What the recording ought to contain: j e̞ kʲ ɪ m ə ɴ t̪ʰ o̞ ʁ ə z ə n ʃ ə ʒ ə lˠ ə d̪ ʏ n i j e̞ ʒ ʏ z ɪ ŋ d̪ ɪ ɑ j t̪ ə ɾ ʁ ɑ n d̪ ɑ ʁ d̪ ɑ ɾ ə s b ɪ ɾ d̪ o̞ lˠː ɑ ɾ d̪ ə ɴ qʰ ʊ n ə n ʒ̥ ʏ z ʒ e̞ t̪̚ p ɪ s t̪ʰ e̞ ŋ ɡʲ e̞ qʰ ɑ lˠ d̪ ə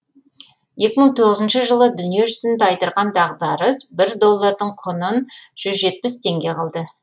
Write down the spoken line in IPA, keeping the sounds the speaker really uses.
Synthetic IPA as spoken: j e̞ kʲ ɪ m ə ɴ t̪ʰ o̞ ʁ ə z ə n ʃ ə ʒ ə lˠ ə d̪ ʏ n i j e̞ ʒ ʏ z ɪ n d̪ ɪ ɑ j t̪ ə ɾ ʁ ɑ n d̪ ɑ ʁ d̪ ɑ ɾ ə s b ɪ ɾ d̪ o̞ lˠː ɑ ɾ d̪ ə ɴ qʰ ʊ n ə n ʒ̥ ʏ z ʒ e̞ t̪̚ p ɪ s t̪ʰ e̞ ŋ ɡʲ e̞ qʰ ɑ lˠ d̪ ə

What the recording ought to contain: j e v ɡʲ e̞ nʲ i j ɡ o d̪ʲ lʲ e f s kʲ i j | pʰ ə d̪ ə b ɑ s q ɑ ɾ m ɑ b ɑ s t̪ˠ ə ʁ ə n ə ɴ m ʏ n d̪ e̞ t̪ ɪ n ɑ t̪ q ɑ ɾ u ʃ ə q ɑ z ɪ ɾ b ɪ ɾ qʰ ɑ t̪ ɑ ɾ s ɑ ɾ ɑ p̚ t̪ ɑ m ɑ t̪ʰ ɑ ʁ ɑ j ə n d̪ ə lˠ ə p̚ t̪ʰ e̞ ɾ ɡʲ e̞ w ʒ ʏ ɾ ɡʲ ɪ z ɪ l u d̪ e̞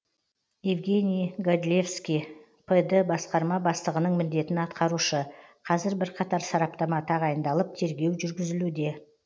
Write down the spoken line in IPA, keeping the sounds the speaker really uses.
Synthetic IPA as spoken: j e v ɡʲ e̞ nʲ i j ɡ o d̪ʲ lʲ e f s kʲ i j | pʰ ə d̪ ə b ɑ s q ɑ ɾ m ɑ b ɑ s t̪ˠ ə ʁ ə n ə ɴ m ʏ n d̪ e̞ t̪ ɪ n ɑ t̪ q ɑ ɾ u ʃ ə qʰ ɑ z ɪ ɾ b ɪ ɾ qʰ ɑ t̪ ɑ ɾ s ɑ ɾ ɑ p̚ t̪ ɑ m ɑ t̪ʰ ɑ ʁ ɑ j ə n d̪ ɑ lˠ ə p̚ t̪ʰ e̞ ɾ ɡʲ e̞ w ʒ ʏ ɾ ɡʲ ɪ z ɪ l u d̪ e̞

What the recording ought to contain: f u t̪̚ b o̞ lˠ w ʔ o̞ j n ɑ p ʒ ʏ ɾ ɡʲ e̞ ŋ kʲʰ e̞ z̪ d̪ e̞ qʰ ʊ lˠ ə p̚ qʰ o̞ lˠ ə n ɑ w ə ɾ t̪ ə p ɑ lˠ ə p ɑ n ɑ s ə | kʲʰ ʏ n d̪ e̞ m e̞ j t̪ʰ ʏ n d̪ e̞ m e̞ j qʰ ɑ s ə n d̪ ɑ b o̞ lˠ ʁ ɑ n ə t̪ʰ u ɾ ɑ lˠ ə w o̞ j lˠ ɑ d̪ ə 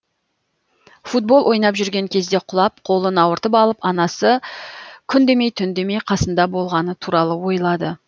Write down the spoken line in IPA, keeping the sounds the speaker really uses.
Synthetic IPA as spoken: f u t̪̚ b o̞ lˠ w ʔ o̞ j n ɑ p ʒ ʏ ɾ ɡʲ e̞ ŋ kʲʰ e̞ z̪ d̪ e̞ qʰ ʊ lˠ ɑ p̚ qʰ o̞ lˠ ə n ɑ w ə ɾ t̪ ə p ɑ lˠ ə p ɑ n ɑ s ə | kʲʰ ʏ n d̪ e̞ m e̞ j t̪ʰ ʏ n d̪ e̞ m e̞ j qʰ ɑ s ə n d̪ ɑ b o̞ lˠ ʁ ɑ n ə t̪ʰ u ɾ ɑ lˠ ə w o̞ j lˠ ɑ d̪ ə

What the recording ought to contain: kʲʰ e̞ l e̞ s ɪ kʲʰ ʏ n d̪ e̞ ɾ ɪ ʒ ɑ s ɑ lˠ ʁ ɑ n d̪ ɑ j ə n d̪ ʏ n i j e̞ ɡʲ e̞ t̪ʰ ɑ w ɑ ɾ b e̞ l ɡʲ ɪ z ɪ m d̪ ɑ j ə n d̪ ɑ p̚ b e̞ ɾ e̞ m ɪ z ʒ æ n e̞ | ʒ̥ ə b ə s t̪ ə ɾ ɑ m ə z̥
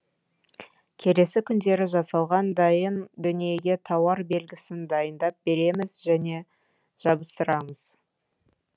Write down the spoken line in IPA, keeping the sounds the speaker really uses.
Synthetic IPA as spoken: kʲʰ e̞ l e̞ s ɪ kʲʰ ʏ n d̪ e̞ ɾ ɪ ʒ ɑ s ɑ lˠ ʁ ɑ n d̪ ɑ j ə n d̪ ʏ n i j e̞ ɡʲ e̞ t̪ʰ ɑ w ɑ ɾ b e̞ l ɡʲ ɪ s ɪ n d̪ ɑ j ə n d̪ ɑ p̚ b e̞ ɾ e̞ m ɪ z ʒ æ n e̞ | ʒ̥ ɑ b ə s t̪ ə ɾ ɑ m ə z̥

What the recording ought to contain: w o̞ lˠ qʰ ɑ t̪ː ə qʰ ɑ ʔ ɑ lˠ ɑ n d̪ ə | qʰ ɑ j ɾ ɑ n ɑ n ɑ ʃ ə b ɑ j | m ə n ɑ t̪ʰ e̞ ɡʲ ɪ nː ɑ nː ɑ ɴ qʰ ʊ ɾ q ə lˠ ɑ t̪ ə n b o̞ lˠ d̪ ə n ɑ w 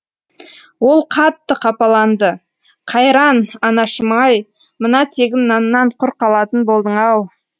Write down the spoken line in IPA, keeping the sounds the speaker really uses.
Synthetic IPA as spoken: w o̞ lˠ qʰ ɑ t̪ː ə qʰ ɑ p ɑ lˠ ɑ n d̪ ə | qʰ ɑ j ɾ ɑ n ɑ n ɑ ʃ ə m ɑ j | m ə n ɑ t̪ʰ e̞ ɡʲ ɪ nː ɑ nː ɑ ɴ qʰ ʊ ɾ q ɑ lˠ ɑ t̪ ə n b o̞ lˠ d̪ ə ɴ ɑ w

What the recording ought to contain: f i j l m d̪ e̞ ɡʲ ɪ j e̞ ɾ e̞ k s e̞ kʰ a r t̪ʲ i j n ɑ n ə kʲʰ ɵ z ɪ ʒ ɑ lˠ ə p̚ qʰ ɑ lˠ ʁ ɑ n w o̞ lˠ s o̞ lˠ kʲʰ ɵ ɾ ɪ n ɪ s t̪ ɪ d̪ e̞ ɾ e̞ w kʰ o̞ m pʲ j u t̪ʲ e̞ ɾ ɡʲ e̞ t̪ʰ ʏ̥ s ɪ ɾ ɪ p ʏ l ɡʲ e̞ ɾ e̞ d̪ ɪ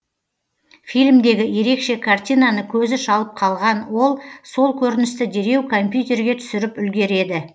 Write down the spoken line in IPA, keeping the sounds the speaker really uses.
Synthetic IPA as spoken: f i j l m d̪ e̞ ɡʲ ɪ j e̞ ɾ e̞ k ʃ e̞ kʰ a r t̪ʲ i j n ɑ n ə kʲʰ ɵ z ɪ ʃ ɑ lˠ ə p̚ qʰ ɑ lˠ ʁ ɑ n w o̞ lˠ s o̞ lˠ kʲʰ ɵ ɾ ɪ n ɪ s t̪ ɪ d̪ e̞ ɾ e̞ w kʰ o̞ m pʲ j u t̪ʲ e̞ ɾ ɡʲ e̞ t̪ʰ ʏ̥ s ɪ ɾ ɪ p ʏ l ɡʲ e̞ ɾ e̞ d̪ ɪ

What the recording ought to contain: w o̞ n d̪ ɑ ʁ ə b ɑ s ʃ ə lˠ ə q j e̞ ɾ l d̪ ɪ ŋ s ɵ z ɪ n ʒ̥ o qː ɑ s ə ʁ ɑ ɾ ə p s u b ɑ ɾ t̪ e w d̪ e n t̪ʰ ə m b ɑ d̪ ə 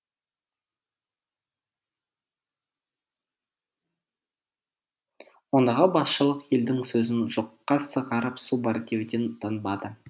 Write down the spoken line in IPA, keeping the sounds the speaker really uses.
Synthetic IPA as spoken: w o̞ n d̪ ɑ ʁ ə b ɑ s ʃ ə lˠ ə q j e̞ l d̪ ɪ ŋ s ɵ z ɪ n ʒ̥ o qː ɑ s ə ʁ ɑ ɾ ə p s u b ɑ ɾ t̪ e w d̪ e n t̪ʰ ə n b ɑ d̪ ə

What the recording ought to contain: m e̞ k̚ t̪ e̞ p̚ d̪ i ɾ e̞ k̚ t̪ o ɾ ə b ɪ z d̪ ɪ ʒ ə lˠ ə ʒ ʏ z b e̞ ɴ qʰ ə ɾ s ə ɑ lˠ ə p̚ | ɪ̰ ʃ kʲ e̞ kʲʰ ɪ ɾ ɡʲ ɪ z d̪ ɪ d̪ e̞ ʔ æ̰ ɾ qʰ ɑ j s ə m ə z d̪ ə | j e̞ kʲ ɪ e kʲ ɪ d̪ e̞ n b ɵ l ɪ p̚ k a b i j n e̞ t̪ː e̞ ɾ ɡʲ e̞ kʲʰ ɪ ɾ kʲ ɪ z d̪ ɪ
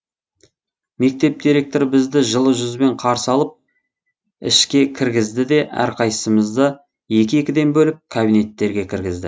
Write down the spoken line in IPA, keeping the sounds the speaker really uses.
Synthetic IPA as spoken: m e̞ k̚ t̪ e̞ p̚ d̪ i ɾ e̞ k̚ t̪ o ɾ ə b ɪ z d̪ ɪ ʒ ə lˠ ə ʒ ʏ z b e̞ ɴ qʰ ɑ ɾ s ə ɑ lˠ ə p̚ | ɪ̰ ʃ kʲ e̞ kʲʰ ɪ ɾ ɡʲ ɪ z d̪ ɪ d̪ e̞ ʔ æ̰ ɾ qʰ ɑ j s ə m ə z d̪ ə | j e̞ kʲ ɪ e kʲ ɪ d̪ e̞ n b ɵ l ɪ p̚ kʰ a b i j n e̞ t̪ː e̞ ɾ ɡʲ e̞ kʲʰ ɪ ɾ ɡʲ ɪ z d̪ ɪ

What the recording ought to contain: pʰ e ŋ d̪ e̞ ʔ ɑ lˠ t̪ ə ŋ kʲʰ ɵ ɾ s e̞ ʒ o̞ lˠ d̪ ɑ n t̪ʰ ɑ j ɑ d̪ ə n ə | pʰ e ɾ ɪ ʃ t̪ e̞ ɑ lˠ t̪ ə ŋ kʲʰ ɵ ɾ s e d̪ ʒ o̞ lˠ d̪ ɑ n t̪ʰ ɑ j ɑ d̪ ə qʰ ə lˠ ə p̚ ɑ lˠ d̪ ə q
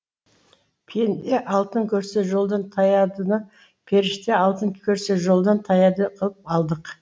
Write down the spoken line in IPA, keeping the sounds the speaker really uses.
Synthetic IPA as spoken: pʰ e n d̪ e̞ ʔ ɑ lˠ t̪ ə ŋ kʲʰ ɵ ɾ s e̞ ʒ o̞ lˠ d̪ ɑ n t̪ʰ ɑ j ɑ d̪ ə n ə | pʰ e ɾ ɪ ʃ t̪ e̞ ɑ lˠ t̪ ə ŋ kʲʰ ɵ ɾ s e ʒ o̞ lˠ d̪ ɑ n t̪ʰ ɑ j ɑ d̪ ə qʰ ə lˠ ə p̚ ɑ lˠ d̪ ə q

